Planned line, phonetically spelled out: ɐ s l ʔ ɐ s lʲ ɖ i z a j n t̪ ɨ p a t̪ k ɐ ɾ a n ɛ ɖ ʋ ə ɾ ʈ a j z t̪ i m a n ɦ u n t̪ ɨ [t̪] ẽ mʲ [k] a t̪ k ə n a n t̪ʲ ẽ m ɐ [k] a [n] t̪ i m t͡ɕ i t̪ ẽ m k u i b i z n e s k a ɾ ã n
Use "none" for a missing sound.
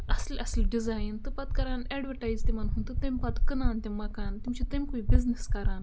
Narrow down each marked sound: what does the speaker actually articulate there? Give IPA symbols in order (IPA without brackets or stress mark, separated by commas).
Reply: t̪, p, k, n